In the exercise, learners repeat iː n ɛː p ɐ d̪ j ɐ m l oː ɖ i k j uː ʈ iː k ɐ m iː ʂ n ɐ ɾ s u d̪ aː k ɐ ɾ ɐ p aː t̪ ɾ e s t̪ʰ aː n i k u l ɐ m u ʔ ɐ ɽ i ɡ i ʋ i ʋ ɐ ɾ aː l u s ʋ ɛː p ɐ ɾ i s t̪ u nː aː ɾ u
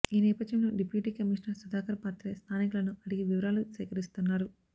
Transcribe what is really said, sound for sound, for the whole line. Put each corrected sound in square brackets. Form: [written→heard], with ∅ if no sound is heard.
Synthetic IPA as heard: iː n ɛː p ɐ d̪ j ɐ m l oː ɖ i [k→p] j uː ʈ iː k ɐ m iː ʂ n ɐ ɾ s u d̪ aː k ɐ ɾ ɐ p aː t̪ ɾ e s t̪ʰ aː n i k u l ɐ [m→n] u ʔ ɐ ɽ i ɡ i ʋ i ʋ ɐ ɾ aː l u s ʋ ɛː [p→k] ɐ ɾ i s t̪ u nː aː ɾ u

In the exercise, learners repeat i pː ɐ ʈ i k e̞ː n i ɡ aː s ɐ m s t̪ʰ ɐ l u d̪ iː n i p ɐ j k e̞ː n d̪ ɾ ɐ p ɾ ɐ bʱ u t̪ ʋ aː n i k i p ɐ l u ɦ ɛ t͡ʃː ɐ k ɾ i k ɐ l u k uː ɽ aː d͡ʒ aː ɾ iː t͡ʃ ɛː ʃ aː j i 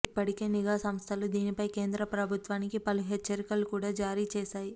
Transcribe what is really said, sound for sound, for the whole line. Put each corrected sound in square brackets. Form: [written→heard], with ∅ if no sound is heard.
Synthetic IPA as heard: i pː ɐ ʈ i k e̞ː n i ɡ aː s ɐ m s t̪ʰ ɐ l u d̪ iː n i p ɐ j k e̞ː n d̪ ɾ ɐ p ɾ ɐ bʱ u t̪ ʋ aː n i k i p ɐ l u ɦ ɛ t͡ʃː ɐ [k→∅] ɾ i k ɐ l u k uː ɽ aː d͡ʒ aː ɾ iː t͡ʃ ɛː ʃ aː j i

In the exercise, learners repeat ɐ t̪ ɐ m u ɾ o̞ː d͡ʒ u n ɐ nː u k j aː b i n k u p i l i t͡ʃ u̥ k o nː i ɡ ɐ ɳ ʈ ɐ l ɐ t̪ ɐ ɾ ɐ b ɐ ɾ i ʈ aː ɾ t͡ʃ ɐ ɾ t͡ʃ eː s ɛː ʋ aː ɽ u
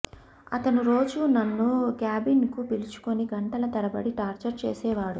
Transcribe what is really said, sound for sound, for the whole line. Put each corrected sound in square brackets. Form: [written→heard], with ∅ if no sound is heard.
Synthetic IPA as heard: ɐ t̪ ɐ [m→n] u ɾ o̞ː d͡ʒ u n ɐ nː u k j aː b i n k u p i l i t͡ʃ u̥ k o [nː→n] i ɡ ɐ ɳ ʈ ɐ l ɐ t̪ ɐ ɾ ɐ b ɐ [ɾ→ɽ] i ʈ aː ɾ t͡ʃ ɐ ɾ t͡ʃ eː s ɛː ʋ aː ɽ u

